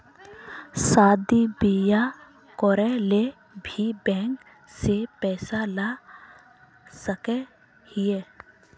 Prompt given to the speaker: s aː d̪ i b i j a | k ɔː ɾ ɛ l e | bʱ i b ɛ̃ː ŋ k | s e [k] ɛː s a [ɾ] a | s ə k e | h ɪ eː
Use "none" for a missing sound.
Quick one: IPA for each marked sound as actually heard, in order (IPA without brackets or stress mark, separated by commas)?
p, l